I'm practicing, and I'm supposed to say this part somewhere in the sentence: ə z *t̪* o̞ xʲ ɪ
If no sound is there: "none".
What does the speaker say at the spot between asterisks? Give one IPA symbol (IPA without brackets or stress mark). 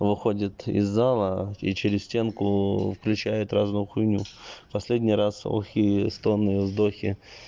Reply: d̪